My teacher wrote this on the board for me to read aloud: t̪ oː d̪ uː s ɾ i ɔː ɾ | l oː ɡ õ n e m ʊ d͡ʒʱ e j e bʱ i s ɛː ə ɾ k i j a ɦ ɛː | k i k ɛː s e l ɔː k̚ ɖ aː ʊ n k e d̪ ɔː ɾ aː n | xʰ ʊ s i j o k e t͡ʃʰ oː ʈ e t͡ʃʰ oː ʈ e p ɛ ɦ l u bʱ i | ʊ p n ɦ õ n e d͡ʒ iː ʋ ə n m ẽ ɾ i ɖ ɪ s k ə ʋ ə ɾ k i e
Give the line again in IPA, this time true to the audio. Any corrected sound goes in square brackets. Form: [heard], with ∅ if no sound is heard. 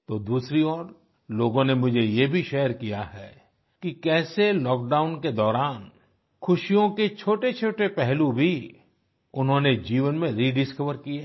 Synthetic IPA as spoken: t̪ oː d̪ uː s ɾ i ɔː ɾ | l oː ɡ õ n e m ʊ d͡ʒʱ e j e bʱ i [ʃ] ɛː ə ɾ k i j a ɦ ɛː | k i k ɛː s e l ɔː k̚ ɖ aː ʊ n k e d̪ ɔː ɾ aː n | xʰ ʊ [ʃ] i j [õ] k e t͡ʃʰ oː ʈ e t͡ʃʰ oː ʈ e p ɛ ɦ l u bʱ i | ʊ [∅] n ɦ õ n e d͡ʒ iː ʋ ə n m ẽ ɾ i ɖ ɪ s k ə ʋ ə ɾ k i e